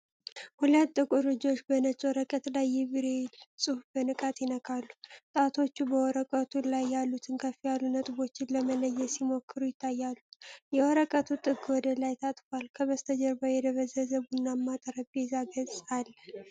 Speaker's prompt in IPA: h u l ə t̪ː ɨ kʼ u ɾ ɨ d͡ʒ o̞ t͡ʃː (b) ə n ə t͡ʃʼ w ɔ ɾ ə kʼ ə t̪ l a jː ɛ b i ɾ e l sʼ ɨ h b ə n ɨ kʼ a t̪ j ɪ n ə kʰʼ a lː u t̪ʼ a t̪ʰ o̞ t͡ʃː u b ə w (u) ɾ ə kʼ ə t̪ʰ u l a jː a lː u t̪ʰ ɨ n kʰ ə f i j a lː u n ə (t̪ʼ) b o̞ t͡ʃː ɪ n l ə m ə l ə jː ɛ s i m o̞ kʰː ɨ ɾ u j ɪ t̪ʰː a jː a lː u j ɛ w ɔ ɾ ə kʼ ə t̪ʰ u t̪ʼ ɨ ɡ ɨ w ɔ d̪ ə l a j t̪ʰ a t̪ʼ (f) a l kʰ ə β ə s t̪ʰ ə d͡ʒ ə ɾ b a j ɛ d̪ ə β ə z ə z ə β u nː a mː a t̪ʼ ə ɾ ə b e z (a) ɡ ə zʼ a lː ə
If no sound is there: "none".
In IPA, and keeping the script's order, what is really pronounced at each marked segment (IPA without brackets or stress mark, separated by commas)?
b, ɔ, t̪ʼ, f, a